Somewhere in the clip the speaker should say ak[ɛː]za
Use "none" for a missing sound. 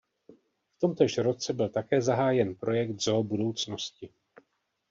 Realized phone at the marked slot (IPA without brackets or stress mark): ɛː